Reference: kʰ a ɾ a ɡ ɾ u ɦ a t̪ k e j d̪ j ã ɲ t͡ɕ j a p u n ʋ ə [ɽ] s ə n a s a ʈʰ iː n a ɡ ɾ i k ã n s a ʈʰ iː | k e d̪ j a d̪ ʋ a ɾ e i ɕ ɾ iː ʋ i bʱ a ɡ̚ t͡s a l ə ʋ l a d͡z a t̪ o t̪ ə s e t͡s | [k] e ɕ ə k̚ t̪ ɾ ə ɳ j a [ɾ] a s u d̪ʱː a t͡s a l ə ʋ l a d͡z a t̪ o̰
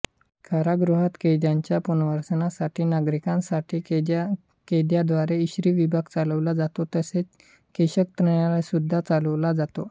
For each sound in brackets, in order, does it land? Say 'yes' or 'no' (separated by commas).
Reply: no, yes, no